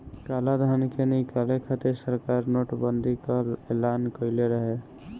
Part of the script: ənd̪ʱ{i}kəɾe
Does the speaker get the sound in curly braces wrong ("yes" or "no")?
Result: no